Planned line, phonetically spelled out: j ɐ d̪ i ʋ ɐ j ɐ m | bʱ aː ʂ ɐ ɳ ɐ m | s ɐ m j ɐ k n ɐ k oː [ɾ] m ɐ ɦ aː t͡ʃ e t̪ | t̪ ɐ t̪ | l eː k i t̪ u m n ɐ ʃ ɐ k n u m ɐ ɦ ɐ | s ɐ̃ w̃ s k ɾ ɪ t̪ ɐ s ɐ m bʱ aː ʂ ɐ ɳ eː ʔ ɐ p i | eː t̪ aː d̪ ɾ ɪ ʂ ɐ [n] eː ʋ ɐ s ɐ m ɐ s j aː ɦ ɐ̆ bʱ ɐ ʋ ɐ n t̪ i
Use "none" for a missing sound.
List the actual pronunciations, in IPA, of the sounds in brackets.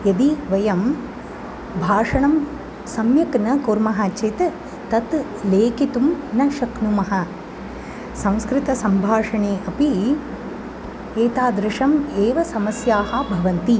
ɾ, m

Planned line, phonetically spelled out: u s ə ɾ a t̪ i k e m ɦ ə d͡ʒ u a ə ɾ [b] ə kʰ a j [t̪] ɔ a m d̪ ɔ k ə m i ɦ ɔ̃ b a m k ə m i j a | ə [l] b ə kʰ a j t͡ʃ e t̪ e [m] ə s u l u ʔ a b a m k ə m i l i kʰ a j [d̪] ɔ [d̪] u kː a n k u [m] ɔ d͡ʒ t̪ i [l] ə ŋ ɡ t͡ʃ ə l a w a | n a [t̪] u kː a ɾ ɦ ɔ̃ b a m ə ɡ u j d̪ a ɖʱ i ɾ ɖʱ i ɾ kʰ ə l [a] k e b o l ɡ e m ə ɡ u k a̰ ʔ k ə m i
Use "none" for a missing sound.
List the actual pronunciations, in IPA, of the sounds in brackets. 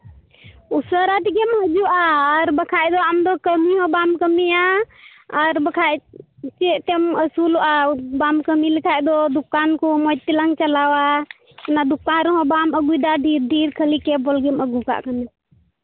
b, d̪, ɾ, m, d̪, d̪, m, l, d̪, i

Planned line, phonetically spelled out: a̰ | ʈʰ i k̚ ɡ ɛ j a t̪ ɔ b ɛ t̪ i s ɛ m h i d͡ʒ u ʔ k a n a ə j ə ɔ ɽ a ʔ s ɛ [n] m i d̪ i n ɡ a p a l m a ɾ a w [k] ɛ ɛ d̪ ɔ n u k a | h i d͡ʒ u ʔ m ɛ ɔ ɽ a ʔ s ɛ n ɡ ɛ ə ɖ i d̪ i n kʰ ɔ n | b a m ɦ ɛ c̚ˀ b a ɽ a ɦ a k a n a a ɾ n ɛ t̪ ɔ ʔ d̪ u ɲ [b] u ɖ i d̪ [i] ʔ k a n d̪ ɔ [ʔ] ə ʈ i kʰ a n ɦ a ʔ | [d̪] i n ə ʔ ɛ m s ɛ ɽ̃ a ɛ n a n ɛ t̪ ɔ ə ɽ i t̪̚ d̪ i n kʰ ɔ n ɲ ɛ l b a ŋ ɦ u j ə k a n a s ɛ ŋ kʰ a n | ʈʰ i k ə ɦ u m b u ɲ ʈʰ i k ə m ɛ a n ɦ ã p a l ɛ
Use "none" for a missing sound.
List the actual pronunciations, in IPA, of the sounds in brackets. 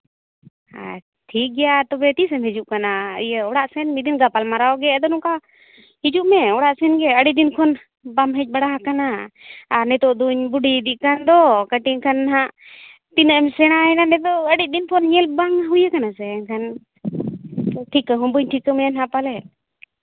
n, ɡ, b, i, k, t̪

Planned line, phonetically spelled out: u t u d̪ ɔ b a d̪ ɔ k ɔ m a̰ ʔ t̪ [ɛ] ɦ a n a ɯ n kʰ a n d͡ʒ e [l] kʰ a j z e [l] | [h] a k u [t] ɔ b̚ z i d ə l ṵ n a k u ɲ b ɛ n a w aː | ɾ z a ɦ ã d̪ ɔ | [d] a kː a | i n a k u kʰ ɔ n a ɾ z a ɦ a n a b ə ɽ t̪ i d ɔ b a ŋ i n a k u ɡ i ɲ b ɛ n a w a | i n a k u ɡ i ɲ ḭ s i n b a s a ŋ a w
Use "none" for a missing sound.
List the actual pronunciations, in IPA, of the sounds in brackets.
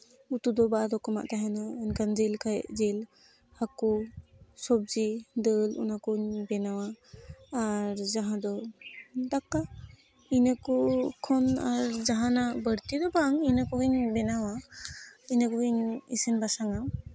a, l, l, h, s, d

